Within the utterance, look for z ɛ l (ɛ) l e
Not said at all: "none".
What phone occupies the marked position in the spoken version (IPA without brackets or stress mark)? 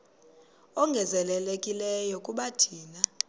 ɛ